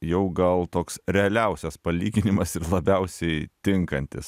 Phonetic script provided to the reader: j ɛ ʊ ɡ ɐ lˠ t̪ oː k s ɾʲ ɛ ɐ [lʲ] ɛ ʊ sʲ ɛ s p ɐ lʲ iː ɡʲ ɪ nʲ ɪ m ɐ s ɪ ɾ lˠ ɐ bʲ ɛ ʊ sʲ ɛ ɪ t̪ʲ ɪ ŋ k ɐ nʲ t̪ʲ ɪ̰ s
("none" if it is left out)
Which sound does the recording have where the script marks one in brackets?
lʲ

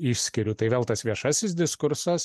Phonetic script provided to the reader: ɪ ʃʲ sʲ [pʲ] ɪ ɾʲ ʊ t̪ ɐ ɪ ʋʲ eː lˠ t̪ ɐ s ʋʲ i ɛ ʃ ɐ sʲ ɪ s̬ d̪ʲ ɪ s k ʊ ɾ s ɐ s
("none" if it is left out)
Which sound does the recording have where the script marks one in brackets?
kʲ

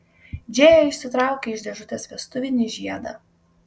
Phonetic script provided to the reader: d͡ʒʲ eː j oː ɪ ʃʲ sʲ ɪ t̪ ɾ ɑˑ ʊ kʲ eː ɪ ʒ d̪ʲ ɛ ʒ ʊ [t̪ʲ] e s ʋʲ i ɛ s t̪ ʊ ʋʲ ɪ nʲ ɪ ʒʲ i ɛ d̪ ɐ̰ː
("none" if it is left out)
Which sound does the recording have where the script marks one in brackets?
t̪ʲ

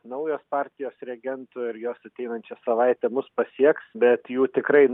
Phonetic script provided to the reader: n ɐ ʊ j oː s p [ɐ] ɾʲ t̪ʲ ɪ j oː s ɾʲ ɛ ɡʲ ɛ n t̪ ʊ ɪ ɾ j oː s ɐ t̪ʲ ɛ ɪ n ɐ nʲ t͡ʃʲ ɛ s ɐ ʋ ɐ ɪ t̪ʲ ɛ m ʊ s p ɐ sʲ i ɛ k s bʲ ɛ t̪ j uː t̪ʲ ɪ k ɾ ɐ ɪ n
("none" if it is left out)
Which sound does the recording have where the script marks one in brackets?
ɑ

